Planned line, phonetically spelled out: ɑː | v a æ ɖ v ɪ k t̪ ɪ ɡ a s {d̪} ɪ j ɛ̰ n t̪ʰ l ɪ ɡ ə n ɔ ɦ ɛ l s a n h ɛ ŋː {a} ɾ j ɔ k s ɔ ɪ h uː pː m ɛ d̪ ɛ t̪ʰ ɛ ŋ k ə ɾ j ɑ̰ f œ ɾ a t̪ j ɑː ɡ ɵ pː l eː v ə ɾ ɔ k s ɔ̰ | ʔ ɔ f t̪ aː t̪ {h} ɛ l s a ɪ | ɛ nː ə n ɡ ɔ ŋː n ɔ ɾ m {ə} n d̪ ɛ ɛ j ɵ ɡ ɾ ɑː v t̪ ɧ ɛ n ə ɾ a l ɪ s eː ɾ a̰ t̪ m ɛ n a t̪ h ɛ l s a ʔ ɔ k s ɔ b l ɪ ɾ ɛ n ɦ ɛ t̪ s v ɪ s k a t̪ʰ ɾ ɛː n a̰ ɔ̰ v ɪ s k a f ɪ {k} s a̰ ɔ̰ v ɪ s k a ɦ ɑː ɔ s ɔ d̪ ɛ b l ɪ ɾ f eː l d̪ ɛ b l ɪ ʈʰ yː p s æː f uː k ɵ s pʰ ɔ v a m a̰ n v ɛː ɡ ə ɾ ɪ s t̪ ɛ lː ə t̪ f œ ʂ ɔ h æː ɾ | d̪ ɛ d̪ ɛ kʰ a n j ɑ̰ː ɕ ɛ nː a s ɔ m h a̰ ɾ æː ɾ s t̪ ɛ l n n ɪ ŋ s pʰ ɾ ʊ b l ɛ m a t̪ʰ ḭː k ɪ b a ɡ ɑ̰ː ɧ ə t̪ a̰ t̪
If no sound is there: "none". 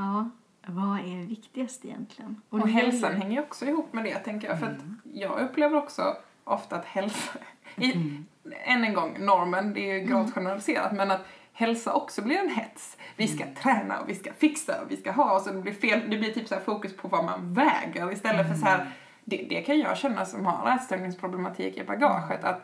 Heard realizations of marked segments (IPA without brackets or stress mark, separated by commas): t̪, ə, h, ə, k